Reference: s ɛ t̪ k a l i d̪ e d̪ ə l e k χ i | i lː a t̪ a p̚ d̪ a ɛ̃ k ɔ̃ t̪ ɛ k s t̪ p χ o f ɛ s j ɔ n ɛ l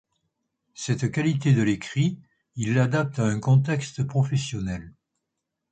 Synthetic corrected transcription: s ɛ t̪ k a l i t̪ e d̪ ə l e k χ i | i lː a d̪ a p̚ t̪ a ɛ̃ k ɔ̃ t̪ ɛ k s t̪ p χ ɔ f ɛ s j ɔ n ɛ l